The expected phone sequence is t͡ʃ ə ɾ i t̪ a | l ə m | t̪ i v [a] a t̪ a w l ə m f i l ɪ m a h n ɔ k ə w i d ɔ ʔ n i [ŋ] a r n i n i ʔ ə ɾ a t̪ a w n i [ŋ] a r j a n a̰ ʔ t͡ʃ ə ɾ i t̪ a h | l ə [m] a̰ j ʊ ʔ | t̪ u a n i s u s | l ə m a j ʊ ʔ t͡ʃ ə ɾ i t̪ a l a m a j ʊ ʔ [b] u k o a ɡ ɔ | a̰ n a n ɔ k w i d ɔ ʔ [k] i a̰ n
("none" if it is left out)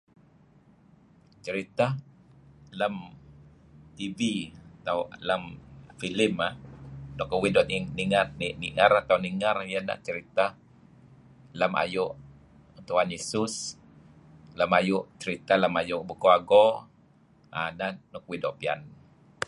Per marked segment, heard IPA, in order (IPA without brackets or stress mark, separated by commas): i, ŋ, ŋ, m, b, p